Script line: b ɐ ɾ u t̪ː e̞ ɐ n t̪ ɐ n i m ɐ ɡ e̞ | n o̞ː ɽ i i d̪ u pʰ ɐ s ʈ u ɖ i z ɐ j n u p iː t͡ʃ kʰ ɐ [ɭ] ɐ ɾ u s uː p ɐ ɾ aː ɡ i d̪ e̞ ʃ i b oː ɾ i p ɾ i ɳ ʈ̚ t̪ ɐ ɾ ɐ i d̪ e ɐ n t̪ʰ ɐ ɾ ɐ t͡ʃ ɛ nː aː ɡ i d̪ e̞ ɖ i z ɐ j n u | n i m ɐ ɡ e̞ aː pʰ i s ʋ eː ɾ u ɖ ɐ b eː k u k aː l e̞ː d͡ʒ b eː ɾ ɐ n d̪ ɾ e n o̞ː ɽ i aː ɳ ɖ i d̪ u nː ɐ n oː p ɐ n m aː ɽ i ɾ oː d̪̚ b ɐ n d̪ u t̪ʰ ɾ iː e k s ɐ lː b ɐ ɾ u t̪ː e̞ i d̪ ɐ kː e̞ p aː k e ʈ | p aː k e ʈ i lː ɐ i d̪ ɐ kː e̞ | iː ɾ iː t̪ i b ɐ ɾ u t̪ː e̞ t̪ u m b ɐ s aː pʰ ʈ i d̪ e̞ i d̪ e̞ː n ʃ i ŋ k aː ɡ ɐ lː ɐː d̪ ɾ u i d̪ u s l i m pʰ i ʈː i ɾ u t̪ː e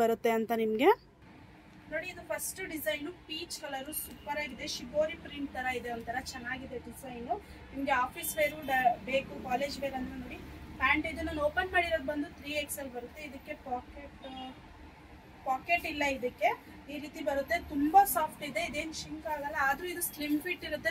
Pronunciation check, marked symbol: incorrect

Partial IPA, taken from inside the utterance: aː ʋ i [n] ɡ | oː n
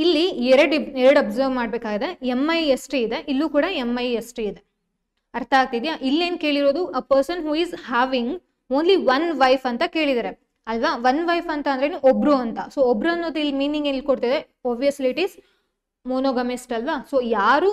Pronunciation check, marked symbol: incorrect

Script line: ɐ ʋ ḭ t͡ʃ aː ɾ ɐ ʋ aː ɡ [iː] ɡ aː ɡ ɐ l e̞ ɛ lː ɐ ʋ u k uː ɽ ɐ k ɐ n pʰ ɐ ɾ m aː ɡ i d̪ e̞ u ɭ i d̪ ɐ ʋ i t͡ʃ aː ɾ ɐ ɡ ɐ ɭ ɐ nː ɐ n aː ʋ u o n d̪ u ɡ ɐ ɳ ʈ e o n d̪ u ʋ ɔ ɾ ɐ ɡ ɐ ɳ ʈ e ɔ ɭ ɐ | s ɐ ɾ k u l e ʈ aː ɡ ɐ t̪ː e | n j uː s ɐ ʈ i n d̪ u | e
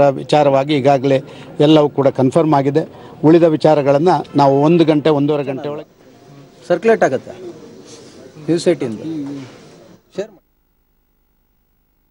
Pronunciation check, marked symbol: correct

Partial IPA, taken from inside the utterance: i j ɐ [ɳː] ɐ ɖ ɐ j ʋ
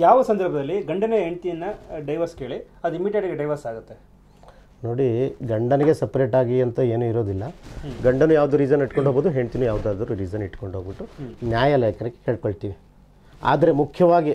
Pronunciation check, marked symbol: incorrect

